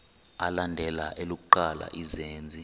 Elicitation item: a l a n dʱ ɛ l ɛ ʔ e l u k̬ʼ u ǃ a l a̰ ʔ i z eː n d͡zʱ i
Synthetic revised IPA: a l a n dʱ ɛ l a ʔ e l u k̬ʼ u ǃ a l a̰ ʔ i z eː n d͡zʱ i